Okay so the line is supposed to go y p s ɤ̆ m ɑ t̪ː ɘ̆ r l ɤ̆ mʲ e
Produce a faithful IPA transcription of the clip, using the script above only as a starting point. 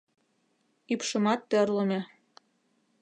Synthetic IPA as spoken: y p ʃ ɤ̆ m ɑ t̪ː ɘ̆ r l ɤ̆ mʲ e